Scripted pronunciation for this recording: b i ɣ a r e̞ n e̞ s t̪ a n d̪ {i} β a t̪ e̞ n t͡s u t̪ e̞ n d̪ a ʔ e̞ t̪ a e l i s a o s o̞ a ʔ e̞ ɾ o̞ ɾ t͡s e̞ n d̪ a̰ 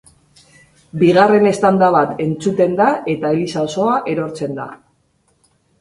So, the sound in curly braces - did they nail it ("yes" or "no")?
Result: no